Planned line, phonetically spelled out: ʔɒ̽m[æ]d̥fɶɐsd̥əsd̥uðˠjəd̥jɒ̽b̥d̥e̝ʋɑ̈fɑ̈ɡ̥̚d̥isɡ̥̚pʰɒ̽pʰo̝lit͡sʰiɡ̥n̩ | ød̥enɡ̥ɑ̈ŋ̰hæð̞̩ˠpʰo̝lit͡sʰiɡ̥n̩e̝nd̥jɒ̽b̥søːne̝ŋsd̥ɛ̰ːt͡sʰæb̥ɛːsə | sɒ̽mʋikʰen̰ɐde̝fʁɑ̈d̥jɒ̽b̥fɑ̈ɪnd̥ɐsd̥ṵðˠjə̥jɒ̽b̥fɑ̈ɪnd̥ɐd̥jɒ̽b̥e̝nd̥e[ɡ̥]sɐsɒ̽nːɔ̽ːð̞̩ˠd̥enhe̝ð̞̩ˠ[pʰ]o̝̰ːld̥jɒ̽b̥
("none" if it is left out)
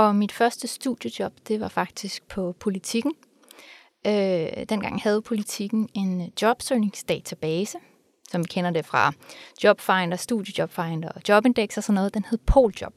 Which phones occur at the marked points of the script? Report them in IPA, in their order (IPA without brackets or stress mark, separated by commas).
i, ɡ̥, pʰ